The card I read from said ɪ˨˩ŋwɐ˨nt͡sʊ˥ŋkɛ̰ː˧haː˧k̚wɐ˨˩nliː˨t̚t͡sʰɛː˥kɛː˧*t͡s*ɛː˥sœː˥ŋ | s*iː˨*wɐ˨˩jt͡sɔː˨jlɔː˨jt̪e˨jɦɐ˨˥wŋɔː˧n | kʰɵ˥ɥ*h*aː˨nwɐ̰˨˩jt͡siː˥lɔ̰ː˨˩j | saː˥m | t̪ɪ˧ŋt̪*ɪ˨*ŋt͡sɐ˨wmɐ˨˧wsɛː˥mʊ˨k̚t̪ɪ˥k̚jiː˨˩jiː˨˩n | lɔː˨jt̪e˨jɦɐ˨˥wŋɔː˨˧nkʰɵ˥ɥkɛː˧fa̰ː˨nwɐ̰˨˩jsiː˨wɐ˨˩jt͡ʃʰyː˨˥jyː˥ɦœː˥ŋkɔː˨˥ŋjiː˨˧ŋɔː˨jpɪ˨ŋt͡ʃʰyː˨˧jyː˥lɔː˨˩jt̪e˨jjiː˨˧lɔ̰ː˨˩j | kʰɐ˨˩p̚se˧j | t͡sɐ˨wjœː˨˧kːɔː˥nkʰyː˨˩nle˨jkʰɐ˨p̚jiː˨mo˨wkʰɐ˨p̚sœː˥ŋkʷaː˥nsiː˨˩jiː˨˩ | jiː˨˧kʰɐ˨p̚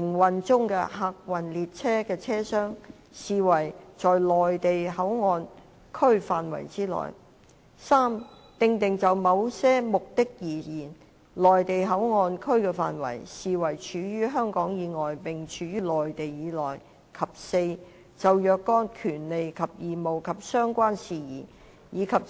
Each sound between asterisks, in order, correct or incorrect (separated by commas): incorrect, correct, incorrect, correct